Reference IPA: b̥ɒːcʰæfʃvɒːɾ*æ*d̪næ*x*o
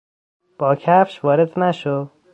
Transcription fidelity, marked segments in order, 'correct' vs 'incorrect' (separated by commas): incorrect, incorrect